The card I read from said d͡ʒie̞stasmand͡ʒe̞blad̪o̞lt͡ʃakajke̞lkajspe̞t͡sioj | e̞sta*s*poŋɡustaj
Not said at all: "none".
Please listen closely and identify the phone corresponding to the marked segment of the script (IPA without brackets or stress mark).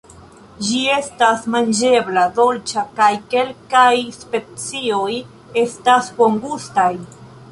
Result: s